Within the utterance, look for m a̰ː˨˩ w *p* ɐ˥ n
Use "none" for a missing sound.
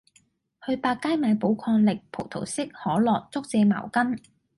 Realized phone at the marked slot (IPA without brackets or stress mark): k